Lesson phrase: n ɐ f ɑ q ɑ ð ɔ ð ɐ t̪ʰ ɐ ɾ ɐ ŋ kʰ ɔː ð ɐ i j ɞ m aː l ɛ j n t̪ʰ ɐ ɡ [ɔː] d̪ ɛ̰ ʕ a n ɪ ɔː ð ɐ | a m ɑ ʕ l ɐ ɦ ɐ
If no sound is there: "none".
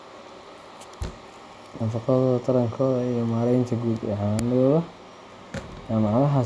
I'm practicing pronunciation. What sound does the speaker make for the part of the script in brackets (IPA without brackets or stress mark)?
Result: uː